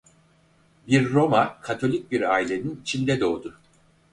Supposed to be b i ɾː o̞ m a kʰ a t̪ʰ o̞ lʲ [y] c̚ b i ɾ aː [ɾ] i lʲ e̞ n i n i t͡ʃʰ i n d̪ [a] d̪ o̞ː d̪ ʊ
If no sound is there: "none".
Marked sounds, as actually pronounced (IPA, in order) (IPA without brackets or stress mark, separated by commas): i, none, ɛ